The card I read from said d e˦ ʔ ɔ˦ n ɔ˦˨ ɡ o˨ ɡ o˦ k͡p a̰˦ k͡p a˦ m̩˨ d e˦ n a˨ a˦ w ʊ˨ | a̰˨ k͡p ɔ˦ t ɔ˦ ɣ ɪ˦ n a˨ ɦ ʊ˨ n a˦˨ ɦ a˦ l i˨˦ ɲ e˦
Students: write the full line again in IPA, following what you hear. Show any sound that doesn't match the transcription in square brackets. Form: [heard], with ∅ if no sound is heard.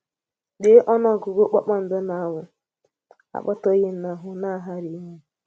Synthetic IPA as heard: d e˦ ʔ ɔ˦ n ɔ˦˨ ɡ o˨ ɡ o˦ k͡p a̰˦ k͡p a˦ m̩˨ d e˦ n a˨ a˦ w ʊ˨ | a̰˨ k͡p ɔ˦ t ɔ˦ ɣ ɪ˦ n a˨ ɦ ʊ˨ n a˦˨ ɦ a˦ [ɾ] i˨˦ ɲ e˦

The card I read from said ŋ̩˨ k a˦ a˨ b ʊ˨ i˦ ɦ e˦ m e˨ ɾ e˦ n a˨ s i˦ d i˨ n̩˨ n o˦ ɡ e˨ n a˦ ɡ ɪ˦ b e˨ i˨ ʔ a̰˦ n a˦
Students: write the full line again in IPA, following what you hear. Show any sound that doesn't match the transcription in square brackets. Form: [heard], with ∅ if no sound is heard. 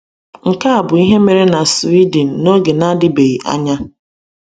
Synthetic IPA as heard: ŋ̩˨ k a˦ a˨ b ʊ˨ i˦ ɦ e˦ m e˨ ɾ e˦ n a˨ s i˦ d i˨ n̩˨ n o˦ ɡ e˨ n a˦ [d] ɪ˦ b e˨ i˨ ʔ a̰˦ [ɲ] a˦

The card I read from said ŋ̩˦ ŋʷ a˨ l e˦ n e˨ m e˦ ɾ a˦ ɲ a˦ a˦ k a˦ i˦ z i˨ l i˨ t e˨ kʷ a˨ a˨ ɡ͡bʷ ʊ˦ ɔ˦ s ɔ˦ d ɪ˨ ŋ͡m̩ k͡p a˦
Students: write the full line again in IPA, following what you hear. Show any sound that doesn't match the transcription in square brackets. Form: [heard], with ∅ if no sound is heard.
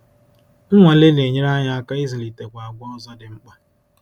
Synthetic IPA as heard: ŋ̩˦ ŋʷ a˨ l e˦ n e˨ [ɲ] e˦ ɾ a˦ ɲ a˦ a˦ k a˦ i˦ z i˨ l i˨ t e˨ kʷ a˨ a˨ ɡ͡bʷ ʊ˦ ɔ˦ [z] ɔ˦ d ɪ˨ ŋ͡m̩ k͡p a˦

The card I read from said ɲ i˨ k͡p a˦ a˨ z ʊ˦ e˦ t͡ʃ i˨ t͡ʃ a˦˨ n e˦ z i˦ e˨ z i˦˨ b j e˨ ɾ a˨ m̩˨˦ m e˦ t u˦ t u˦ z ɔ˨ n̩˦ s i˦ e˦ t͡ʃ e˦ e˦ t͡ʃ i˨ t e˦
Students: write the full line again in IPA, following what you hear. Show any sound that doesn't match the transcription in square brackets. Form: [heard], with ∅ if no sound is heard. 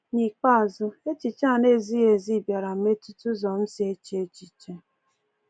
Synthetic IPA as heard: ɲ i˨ k͡p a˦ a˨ z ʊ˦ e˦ t͡ʃ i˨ t͡ʃ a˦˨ n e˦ z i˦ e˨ z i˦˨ b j [a˨] ɾ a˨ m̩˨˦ m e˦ t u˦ t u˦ z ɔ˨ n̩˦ s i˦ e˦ t͡ʃ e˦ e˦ t͡ʃ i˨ [t͡ʃ] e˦

